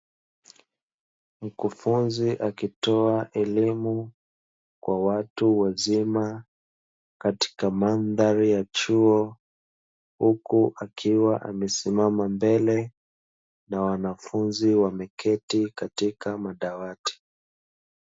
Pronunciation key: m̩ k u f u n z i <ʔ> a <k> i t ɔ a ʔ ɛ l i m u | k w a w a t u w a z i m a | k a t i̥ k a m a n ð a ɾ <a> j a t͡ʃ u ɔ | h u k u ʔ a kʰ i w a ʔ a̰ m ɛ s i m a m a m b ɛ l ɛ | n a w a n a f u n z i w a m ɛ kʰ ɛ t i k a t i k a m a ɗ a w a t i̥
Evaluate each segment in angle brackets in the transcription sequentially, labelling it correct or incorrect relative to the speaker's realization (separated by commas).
correct, correct, incorrect